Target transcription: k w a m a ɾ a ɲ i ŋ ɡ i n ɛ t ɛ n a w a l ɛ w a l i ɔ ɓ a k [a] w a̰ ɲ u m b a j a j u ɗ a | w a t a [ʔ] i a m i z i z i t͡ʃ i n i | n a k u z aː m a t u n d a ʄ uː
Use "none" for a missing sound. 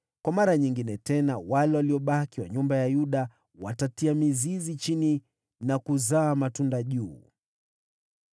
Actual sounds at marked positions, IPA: i, t

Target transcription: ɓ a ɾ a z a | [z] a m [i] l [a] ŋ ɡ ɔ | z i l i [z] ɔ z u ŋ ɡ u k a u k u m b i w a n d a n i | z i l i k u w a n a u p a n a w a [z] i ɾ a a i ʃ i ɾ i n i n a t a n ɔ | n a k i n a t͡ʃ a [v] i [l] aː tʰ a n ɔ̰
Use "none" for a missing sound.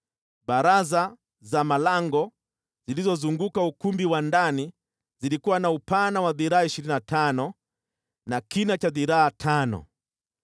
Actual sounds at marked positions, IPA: z, a, a, z, ð, ð, ɾ

